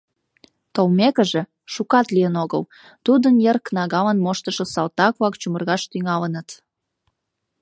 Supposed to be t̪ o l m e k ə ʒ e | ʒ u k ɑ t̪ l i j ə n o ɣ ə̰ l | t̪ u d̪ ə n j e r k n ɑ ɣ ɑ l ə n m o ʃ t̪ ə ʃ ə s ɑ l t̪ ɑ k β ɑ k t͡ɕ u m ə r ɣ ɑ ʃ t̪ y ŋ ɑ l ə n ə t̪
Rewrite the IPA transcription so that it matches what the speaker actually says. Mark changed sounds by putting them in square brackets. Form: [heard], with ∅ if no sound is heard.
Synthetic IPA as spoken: t̪ o l m e k ə ʒ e | [ʃ] u k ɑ t̪ l i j ə n o ɣ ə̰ l | t̪ u d̪ ə n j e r k n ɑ ɣ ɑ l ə n m o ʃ t̪ ə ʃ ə s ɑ l t̪ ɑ k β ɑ k t͡ɕ u m ə r ɣ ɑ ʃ t̪ y ŋ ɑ l ə n ə t̪